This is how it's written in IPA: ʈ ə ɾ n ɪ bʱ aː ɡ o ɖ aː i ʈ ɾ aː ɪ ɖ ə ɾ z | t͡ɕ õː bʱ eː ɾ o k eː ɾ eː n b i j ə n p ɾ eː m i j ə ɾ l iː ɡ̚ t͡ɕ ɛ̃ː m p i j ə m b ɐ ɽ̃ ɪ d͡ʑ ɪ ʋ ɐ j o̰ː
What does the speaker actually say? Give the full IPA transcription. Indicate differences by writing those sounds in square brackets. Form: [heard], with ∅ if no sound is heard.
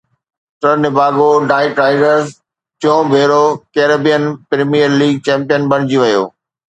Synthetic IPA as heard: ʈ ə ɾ n ɪ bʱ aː ɡ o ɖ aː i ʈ ɾ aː ɪ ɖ ə ɾ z | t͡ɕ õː bʱ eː ɾ o k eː ɾ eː [∅] b i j ə n p ɾ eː m i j ə ɾ l iː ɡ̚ t͡ɕ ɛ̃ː m p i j ə [n] b ɐ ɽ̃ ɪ d͡ʑ [i] ʋ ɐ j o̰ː